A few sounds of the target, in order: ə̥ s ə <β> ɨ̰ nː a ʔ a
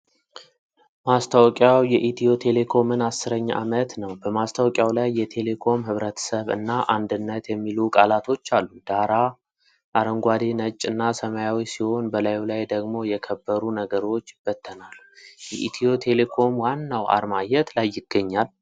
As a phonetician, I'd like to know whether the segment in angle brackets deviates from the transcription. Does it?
no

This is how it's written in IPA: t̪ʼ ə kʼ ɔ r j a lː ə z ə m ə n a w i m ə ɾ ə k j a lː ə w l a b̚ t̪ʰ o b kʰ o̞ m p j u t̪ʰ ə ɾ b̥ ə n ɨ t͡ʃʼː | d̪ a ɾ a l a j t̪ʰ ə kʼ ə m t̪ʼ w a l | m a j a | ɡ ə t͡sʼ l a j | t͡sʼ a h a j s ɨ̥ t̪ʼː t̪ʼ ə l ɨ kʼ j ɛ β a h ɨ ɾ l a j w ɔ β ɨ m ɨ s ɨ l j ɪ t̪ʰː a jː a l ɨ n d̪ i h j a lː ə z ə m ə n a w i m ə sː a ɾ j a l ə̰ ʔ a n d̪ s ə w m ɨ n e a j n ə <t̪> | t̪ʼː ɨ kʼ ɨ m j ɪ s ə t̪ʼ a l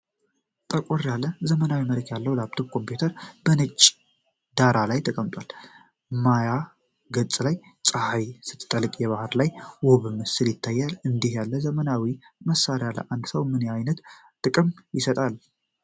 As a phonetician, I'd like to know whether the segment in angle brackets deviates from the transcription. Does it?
no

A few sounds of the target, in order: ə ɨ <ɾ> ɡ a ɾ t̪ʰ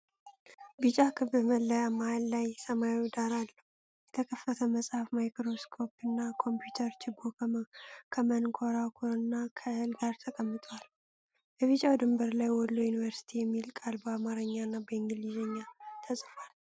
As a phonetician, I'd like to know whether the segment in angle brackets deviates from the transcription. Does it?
yes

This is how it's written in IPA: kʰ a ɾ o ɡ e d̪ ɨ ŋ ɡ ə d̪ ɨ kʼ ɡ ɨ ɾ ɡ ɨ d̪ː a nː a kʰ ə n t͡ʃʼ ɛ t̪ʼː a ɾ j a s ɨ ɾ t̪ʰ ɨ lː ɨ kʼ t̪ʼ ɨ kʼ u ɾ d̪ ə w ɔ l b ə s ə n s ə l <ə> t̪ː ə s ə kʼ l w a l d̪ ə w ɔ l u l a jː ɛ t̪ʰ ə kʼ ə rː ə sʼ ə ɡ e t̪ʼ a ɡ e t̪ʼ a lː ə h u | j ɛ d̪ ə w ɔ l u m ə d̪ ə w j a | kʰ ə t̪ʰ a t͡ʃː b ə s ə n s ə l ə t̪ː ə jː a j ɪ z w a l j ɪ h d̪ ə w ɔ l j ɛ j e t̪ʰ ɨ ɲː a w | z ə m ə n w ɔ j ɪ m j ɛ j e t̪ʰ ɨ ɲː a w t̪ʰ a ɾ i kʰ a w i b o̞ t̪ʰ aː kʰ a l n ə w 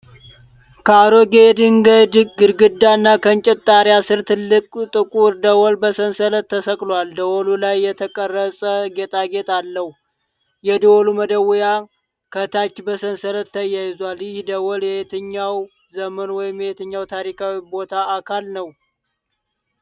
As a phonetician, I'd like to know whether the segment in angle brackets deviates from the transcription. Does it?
no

